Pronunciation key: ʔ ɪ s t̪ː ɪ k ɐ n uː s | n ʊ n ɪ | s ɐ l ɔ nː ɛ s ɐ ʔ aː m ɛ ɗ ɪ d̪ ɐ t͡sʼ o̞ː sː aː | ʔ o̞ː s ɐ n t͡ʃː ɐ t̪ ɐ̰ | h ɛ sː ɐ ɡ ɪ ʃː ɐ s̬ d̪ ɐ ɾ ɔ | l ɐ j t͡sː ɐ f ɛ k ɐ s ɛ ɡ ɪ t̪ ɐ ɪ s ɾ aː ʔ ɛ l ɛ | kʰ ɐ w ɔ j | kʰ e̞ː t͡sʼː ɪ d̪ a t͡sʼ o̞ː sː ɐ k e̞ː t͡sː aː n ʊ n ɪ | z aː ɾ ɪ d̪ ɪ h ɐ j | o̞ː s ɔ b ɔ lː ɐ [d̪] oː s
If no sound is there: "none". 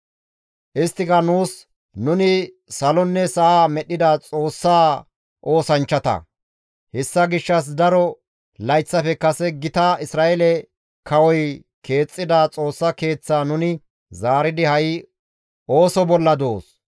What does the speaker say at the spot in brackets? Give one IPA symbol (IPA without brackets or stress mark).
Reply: d̪